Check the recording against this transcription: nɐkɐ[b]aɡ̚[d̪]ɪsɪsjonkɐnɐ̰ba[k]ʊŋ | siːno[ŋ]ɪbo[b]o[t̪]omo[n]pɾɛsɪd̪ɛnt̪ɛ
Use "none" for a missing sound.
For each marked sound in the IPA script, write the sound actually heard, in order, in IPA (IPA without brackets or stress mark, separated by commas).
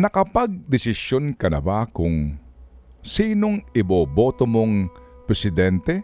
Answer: p, d̪, k, ŋ, b, t̪, ŋ